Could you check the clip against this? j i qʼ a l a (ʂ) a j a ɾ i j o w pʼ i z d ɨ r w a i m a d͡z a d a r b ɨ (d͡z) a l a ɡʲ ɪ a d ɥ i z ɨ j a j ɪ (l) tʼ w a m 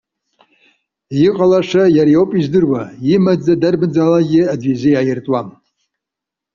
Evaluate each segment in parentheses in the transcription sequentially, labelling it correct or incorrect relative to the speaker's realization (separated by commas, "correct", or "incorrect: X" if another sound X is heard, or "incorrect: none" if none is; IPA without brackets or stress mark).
correct, correct, incorrect: r